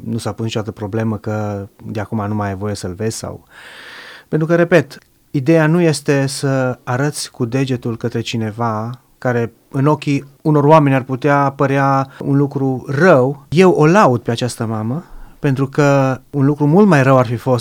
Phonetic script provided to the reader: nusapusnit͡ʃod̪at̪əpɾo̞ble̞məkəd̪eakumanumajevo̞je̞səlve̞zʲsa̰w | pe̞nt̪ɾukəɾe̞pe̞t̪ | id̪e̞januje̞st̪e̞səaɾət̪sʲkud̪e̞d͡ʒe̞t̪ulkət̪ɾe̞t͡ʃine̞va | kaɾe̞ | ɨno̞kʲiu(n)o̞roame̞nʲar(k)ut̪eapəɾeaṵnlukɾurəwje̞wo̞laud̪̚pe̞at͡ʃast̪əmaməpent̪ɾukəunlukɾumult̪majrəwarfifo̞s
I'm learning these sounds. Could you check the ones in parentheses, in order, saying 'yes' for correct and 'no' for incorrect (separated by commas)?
yes, no